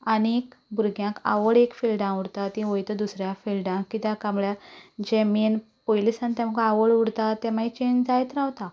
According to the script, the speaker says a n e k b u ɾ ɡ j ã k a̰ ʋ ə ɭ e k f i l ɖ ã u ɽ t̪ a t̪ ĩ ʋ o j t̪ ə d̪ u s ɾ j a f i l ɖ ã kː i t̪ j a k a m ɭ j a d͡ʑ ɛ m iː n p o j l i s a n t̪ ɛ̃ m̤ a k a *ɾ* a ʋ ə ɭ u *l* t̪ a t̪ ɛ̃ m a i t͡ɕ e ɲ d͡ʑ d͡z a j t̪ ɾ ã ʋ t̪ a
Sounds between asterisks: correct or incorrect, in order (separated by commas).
incorrect, incorrect